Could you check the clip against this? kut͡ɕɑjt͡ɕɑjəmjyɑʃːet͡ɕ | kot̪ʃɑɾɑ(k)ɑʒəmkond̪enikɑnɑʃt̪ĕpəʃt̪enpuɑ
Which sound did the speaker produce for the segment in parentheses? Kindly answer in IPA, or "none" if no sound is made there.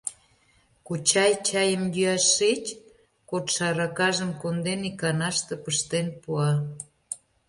k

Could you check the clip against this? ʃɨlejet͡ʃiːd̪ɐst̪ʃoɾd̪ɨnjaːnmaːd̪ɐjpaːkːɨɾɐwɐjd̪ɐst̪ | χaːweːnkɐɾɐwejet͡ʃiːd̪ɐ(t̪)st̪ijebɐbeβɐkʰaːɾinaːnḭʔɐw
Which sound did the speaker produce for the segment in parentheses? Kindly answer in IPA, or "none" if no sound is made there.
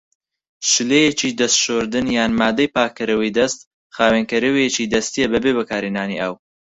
none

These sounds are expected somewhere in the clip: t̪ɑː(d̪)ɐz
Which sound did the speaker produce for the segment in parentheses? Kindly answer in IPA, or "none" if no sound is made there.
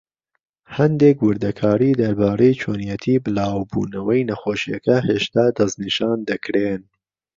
d̪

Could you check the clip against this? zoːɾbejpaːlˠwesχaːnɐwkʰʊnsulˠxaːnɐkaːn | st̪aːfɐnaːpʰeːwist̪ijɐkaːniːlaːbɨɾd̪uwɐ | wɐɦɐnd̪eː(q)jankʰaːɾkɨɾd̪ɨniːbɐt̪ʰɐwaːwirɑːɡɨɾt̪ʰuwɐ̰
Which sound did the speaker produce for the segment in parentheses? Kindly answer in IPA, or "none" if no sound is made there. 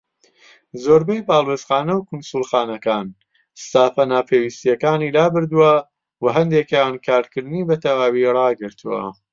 k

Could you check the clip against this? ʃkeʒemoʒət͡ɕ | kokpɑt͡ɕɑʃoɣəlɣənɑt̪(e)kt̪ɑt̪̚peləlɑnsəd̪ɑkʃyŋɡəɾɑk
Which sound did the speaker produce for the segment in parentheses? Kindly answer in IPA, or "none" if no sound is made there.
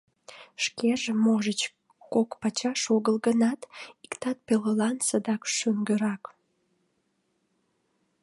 i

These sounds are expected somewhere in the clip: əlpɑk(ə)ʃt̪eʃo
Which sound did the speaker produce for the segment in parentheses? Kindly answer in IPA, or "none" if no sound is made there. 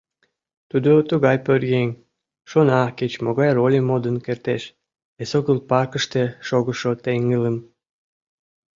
ə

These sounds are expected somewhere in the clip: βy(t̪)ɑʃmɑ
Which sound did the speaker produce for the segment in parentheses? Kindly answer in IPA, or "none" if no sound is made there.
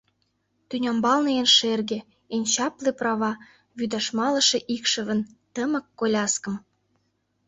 d̪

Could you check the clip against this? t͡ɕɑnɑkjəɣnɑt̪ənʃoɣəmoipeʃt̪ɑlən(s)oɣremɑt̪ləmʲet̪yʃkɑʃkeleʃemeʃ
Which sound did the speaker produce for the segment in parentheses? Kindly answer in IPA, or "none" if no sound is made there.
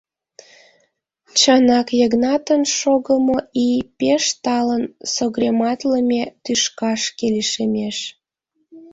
s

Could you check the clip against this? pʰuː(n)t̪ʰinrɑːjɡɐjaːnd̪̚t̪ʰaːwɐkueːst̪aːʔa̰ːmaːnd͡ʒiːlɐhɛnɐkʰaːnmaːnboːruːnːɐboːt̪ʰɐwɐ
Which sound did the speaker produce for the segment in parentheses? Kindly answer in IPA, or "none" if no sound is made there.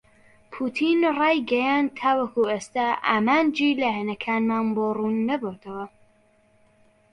none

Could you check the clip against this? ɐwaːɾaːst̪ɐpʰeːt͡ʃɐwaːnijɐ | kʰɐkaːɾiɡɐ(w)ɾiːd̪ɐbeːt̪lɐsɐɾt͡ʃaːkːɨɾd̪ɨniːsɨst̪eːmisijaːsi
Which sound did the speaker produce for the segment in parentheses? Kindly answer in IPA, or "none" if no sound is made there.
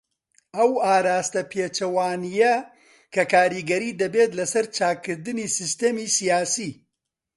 none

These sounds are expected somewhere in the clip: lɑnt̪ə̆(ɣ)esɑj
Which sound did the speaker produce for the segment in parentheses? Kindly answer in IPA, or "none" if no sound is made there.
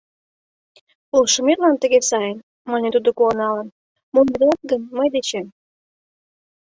ɣ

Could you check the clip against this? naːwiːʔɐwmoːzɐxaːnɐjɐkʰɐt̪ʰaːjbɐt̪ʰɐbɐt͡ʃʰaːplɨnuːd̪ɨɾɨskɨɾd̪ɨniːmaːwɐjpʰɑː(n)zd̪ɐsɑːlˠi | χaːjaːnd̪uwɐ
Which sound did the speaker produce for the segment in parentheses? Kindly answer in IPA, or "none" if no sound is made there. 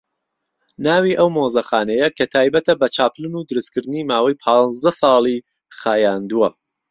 n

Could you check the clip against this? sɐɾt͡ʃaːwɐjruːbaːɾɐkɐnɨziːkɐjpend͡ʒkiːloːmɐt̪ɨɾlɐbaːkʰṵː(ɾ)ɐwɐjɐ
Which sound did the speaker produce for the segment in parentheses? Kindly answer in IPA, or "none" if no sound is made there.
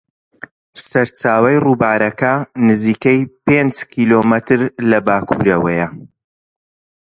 ɾ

